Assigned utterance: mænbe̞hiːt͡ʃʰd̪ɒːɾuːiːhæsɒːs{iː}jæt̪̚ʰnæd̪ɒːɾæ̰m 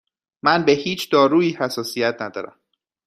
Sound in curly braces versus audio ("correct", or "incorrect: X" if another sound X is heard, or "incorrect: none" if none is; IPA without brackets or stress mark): incorrect: i